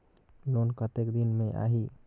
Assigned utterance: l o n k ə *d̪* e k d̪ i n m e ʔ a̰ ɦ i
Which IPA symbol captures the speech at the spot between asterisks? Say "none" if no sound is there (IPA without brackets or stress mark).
t̪